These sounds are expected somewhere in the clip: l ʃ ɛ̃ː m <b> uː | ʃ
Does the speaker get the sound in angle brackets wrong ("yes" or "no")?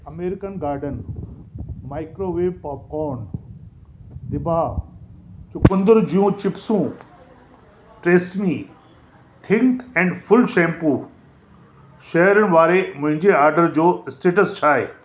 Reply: yes